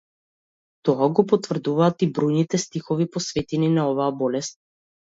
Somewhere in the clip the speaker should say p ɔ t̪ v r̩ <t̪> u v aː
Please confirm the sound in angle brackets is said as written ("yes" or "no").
no